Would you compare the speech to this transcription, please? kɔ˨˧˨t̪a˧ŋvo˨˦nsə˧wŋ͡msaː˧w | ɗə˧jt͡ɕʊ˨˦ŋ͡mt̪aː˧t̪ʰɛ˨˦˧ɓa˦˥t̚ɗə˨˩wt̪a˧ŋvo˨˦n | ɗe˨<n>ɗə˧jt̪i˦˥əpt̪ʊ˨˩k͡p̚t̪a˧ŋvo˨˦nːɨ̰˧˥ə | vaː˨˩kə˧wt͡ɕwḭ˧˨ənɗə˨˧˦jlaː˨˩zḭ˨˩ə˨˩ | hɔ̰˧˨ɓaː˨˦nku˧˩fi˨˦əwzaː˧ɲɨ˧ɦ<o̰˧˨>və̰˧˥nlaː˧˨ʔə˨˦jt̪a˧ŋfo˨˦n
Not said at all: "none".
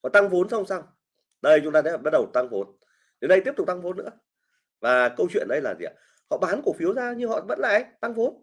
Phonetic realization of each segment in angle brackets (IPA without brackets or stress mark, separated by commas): n, ɔ̰˧˨